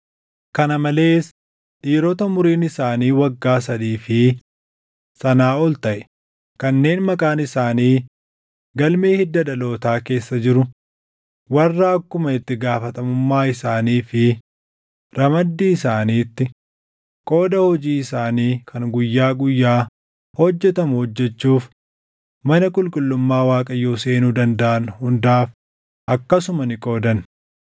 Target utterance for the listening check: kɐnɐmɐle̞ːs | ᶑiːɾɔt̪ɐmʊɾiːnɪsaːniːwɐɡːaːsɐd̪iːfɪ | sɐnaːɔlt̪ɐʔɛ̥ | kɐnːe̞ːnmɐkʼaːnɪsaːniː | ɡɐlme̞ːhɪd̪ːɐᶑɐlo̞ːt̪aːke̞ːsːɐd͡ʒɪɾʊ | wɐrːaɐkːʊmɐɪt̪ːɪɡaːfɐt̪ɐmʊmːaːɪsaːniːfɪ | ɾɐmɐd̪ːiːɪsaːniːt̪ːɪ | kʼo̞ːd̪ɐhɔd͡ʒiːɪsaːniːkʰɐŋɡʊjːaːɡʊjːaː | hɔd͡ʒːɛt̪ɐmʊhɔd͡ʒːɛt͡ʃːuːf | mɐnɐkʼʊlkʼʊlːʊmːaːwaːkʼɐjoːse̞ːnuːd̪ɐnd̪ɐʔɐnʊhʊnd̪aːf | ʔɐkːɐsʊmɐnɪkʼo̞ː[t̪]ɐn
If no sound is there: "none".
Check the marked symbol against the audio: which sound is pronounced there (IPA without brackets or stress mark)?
d̪